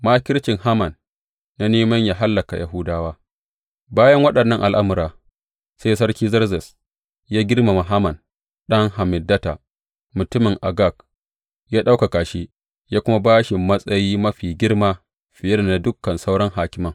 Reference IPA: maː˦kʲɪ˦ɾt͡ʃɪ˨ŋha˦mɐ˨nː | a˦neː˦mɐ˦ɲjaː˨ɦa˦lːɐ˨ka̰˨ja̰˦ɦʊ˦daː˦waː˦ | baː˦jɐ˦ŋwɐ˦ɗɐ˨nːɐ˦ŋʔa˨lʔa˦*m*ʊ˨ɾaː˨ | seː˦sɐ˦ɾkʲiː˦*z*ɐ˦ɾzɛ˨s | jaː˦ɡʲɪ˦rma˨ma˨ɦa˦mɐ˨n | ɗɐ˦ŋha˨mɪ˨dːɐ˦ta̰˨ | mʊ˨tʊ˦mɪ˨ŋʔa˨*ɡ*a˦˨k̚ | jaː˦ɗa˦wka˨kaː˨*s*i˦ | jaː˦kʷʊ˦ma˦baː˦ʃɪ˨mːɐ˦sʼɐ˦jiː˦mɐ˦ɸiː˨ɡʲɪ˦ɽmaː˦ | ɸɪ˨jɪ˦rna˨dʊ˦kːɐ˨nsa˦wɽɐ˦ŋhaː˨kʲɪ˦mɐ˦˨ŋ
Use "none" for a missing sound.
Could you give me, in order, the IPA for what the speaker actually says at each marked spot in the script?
m, z, ɡ, ʃ

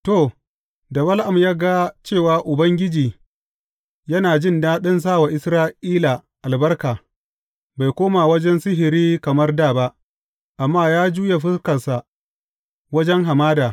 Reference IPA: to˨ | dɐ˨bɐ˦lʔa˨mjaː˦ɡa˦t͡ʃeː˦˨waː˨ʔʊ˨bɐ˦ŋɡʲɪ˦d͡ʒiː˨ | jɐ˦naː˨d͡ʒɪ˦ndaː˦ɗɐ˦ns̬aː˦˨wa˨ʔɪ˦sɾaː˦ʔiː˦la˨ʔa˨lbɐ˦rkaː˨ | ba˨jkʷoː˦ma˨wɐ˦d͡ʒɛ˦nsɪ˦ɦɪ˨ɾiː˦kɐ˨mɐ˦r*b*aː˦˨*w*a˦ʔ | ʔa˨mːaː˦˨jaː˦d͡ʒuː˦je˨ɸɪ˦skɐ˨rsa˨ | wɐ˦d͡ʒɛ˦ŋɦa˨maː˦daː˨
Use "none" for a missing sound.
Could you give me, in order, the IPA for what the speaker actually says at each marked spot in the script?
d, b

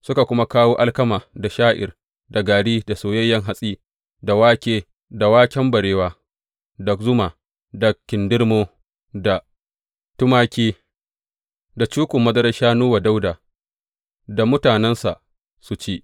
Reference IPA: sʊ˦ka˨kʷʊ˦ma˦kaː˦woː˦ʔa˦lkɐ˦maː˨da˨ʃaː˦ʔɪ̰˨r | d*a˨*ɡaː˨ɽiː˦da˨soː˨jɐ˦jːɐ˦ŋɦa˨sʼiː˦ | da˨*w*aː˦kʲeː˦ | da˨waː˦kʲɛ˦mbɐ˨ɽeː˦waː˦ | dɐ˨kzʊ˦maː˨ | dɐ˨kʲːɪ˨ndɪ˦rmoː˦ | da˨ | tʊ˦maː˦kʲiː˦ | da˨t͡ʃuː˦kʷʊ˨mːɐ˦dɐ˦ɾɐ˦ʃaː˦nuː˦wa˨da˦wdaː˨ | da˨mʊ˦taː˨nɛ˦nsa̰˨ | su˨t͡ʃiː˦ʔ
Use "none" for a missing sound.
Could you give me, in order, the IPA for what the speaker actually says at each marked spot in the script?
a˨, w

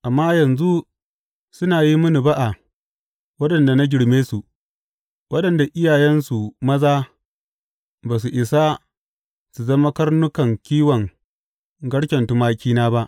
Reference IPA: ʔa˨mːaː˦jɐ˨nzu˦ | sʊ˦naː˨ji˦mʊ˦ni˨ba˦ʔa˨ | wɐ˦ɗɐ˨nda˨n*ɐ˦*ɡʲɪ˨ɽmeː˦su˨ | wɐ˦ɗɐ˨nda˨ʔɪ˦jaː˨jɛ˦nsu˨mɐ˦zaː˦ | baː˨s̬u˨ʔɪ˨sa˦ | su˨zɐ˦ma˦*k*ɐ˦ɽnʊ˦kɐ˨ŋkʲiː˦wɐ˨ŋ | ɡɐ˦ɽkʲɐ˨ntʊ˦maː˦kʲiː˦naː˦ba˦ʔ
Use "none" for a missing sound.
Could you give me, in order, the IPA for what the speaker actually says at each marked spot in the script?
a˦, k

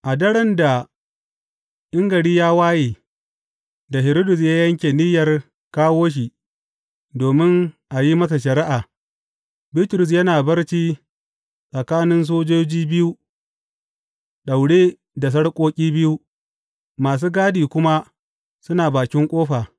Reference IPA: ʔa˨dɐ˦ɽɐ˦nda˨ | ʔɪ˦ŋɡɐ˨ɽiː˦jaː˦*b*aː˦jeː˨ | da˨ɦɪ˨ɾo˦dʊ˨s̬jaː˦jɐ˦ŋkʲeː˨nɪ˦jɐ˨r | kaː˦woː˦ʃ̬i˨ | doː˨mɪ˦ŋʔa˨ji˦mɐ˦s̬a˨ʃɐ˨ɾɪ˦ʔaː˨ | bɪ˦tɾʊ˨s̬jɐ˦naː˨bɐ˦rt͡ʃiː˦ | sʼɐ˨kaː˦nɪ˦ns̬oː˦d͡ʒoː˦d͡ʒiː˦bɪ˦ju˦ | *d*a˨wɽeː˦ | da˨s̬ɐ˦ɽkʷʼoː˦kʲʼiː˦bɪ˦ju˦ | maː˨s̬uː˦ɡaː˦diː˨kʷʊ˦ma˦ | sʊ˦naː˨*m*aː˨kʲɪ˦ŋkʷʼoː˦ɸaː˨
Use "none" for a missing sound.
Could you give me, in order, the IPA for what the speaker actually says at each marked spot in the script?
w, ɗ, b

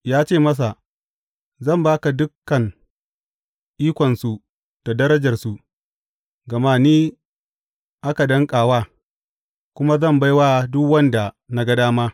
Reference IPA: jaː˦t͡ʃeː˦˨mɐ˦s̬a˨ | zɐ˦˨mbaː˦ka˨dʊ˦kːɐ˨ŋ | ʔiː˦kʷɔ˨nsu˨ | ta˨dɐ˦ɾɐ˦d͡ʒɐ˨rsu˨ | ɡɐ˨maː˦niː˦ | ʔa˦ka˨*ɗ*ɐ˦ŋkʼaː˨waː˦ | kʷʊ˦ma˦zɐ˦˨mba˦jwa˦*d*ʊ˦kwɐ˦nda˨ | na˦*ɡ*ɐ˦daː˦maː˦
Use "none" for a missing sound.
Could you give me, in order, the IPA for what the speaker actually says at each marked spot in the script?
d, d, ɡ

